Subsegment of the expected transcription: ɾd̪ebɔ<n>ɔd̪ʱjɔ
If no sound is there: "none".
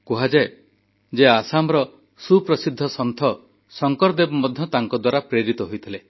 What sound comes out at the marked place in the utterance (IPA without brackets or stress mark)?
m